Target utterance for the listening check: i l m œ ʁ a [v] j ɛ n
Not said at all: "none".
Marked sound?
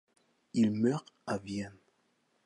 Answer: v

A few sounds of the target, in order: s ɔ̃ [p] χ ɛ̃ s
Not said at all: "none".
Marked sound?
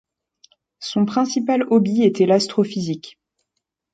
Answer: p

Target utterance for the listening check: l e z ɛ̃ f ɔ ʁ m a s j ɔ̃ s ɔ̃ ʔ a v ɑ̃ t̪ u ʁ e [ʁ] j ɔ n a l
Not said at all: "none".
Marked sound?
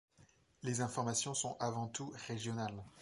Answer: ʒ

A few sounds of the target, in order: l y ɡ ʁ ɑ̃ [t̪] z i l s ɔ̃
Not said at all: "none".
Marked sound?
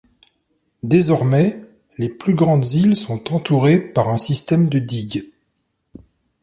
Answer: d̪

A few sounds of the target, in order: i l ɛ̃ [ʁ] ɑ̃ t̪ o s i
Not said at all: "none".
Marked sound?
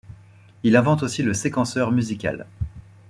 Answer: v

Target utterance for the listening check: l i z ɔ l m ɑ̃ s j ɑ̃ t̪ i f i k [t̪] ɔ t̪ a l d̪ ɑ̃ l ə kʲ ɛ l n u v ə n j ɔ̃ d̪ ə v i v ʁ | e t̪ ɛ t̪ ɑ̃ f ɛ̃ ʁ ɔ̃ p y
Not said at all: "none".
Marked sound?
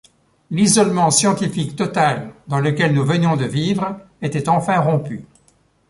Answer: t̪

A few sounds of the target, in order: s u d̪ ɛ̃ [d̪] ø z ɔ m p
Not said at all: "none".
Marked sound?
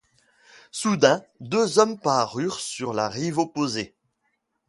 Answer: d̪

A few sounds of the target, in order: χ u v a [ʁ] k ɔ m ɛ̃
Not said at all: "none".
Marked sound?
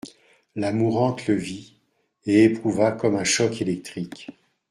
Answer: none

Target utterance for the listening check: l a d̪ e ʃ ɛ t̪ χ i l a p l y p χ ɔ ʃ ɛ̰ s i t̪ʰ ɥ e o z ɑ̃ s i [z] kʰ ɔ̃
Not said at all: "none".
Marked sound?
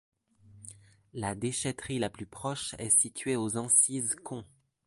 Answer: z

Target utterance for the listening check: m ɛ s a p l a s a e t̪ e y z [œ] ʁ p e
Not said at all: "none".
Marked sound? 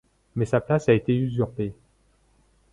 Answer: y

